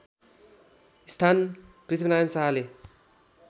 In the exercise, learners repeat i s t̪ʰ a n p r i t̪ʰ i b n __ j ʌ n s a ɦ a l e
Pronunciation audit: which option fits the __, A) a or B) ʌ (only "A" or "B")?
A